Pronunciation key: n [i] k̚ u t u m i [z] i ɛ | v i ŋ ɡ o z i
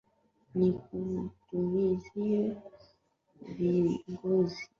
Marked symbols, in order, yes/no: yes, yes

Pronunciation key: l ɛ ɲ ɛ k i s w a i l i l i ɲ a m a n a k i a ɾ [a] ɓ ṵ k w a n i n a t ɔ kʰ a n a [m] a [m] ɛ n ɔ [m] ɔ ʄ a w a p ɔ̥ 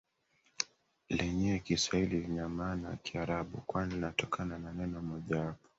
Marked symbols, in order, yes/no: yes, no, no, yes

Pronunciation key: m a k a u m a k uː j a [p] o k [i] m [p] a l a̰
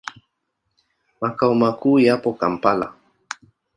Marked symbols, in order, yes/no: yes, no, yes

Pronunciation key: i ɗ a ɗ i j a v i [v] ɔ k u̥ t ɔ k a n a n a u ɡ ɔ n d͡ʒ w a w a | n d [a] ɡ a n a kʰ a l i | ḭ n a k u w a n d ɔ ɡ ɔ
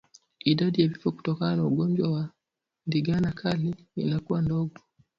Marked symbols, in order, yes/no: no, no

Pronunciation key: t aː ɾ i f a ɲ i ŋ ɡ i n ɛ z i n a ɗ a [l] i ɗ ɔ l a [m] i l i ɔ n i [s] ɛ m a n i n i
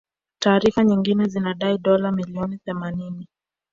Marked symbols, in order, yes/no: no, yes, no

